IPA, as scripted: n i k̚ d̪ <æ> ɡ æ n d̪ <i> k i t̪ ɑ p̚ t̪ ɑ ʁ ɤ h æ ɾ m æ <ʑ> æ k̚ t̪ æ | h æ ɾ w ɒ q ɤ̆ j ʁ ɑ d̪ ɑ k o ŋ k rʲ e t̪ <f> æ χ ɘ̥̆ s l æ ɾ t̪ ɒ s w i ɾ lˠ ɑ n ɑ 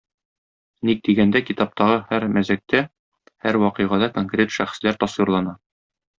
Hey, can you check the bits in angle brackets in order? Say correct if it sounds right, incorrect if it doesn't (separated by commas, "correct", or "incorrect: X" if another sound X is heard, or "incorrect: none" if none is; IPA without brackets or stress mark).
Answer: incorrect: i, incorrect: æ, incorrect: z, incorrect: ʃ